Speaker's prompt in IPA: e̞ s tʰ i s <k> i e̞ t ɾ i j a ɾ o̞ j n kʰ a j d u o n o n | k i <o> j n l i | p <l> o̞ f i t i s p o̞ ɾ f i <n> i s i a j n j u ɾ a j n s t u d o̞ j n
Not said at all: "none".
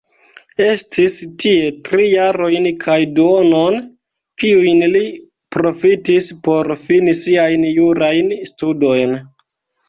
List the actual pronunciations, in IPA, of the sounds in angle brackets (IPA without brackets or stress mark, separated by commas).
t, u, ɾ, n